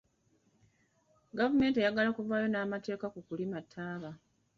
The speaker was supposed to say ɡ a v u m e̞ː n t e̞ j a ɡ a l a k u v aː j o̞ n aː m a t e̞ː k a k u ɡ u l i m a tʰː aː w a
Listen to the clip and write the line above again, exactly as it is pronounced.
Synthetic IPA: ɡ a v u m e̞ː n t e̞ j a ɡ a l a k u v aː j o̞ n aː m a t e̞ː k a k u k u l i m a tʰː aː β a

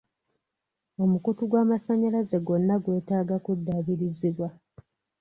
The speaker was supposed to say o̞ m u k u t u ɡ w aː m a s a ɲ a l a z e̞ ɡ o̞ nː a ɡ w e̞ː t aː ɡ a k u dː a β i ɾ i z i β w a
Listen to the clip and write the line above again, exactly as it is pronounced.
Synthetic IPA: o̞ m u k u t u ɡ w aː m a s a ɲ a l a z e̞ ɡ o̞ nː a ɡ w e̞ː t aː ɡ a k u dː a β i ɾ i z i β w a

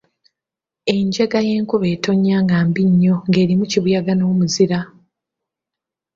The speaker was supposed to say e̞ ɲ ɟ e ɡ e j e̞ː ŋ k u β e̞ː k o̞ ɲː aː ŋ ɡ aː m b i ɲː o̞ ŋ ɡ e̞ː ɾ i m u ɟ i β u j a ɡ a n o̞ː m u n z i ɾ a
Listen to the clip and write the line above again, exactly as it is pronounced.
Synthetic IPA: e̞ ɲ ɟ e ɡ a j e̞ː ŋ k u β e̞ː t o̞ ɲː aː ŋ ɡ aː m b i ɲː o̞ ŋ ɡ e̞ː ɾ i m u c i β u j a ɡ a n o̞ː m u z i ɾ a

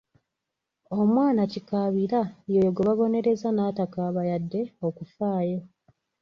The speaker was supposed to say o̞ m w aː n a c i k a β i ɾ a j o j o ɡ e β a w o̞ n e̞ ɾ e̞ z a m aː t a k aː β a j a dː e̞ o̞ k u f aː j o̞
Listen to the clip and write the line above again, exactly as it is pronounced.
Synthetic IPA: o̞ m w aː n a c i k a β i ɾ a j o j o ɡ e β a β o̞ n e̞ ɾ e̞ z a n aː t a k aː β a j a dː e̞ o̞ k u f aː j o̞

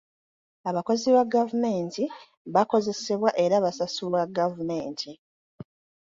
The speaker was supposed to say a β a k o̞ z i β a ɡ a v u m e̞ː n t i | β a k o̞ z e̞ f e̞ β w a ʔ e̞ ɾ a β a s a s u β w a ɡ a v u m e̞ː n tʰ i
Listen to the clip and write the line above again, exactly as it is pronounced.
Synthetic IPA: a β a k o̞ z i β a ɡ a v u m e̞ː n t i | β a k o̞ z e̞ s e̞ β w a ʔ e̞ ɾ a β a s a s u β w a ɡ a v u m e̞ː n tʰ i

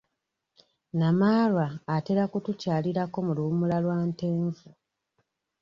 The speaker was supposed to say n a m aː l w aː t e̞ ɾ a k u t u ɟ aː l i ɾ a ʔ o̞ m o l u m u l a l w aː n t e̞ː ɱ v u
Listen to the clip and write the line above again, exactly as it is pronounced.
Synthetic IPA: n a m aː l w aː t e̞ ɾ a k u t u c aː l i ɾ a k o̞ m u l u m u l a l w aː n t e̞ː ɱ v u

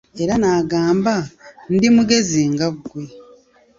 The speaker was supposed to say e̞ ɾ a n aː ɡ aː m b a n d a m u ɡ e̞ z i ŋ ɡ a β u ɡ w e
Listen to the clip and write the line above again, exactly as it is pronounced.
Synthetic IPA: e̞ ɾ a n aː ɡ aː m b a n d i m u ɡ e̞ z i ŋ ɡ a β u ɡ w e

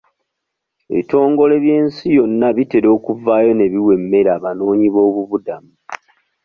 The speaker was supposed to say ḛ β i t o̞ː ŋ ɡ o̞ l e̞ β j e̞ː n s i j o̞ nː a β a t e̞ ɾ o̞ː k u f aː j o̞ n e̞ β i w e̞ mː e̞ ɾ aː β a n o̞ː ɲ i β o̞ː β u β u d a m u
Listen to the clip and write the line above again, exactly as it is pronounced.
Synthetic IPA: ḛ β i t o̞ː ŋ ɡ o̞ l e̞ β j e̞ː n s i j o̞ nː a β i t e̞ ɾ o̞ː k u v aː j o̞ n e̞ β i w e̞ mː e̞ ɾ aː β a n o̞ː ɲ i β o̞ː β u β u d a m u

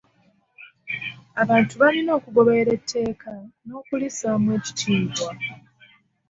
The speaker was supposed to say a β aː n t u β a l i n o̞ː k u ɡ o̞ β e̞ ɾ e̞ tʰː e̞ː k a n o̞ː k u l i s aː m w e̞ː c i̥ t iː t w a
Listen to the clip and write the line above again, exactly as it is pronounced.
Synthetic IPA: a β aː n t u β a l i n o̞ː k u ɡ o̞ β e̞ ɾ e̞ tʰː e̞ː k a n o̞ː k u l i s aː m w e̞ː c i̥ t iː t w a

